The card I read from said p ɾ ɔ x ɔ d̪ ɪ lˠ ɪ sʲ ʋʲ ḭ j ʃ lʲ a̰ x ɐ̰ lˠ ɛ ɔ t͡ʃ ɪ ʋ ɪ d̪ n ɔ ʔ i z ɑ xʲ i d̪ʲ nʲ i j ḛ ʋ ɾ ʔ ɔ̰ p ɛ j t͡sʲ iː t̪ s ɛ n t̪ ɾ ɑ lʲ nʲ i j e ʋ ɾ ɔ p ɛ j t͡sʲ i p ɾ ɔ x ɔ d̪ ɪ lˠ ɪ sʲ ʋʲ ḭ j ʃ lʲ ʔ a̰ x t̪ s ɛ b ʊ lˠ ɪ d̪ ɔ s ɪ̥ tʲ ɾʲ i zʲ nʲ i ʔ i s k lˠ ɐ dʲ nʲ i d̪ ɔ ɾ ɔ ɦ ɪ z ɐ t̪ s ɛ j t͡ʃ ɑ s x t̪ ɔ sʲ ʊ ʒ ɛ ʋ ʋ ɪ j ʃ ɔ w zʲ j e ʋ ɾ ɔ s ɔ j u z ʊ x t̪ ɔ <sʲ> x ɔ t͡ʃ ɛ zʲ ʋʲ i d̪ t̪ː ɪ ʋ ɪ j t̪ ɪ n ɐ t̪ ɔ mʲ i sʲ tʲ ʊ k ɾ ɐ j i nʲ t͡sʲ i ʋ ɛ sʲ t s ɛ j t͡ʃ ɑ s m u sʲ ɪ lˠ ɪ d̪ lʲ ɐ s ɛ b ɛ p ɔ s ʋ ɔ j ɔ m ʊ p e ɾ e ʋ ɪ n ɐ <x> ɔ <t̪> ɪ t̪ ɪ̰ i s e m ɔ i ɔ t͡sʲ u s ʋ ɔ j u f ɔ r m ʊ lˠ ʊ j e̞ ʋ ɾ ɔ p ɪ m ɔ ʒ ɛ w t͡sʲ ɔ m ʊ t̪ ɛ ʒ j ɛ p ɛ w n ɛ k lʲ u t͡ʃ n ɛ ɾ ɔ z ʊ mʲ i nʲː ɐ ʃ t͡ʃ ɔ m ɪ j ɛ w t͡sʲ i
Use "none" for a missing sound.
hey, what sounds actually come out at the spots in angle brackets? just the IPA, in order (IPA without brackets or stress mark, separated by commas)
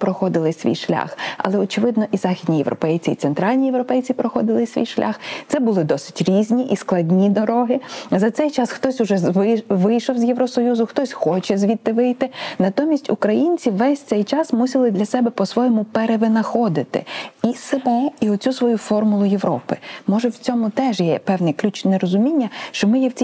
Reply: sʲ, x, d̪